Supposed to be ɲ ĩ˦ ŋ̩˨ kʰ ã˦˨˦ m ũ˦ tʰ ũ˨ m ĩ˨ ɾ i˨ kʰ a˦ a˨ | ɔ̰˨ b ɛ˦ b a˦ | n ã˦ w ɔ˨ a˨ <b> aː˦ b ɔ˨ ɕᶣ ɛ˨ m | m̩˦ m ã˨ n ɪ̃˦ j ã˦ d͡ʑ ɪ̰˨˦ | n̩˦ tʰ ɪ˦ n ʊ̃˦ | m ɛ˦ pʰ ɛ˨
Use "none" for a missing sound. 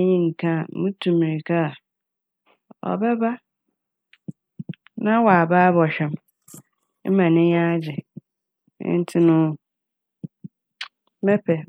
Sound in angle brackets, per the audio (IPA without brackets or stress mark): b